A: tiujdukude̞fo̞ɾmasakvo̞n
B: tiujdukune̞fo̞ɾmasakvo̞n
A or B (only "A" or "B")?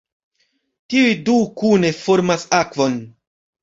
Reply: B